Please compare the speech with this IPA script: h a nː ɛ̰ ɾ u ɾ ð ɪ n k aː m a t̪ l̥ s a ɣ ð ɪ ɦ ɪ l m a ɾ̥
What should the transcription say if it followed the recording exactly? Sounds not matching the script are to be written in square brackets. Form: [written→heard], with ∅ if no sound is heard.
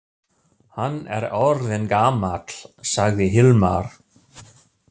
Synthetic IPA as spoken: h a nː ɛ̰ ɾ [u→ɔ] ɾ ð ɪ n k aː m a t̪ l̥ s a ɣ ð ɪ ɦ ɪ l m a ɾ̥